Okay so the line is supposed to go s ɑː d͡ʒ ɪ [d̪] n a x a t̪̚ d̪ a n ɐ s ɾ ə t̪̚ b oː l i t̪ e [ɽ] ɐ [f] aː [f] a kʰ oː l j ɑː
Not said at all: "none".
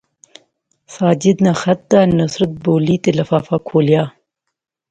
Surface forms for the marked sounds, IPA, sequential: d̪, l, f, f

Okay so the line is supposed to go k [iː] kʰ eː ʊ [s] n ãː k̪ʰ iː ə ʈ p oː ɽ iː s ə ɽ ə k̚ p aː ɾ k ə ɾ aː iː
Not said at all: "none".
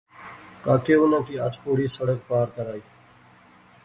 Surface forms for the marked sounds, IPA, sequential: aː, none

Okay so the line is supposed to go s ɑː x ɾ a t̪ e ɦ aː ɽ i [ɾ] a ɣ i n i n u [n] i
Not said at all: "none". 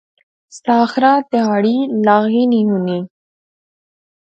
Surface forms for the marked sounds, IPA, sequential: l, n

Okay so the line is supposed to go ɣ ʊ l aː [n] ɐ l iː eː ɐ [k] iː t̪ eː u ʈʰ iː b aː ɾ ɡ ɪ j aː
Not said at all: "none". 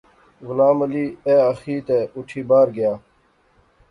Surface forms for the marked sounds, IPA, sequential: m, x

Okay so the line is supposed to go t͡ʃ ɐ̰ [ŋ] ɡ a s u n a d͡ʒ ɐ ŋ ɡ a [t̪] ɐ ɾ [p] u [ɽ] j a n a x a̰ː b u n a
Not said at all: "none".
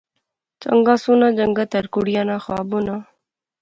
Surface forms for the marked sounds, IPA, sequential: ŋ, t̪, k, ɽ

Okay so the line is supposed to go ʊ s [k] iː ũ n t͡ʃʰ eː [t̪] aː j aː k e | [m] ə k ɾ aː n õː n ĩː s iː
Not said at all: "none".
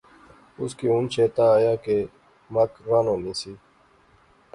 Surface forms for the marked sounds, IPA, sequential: k, t̪, m

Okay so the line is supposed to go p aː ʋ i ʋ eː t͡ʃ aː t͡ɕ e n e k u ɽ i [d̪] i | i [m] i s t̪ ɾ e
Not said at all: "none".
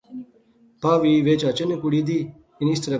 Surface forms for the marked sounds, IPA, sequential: d̪, n

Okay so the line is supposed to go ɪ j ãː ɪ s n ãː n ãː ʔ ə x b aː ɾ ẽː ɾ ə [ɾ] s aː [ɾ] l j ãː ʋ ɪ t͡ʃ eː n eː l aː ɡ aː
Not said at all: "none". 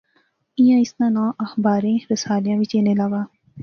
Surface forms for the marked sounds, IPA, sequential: none, none

